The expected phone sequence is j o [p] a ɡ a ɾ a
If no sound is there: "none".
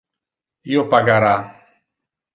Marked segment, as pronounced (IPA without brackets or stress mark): p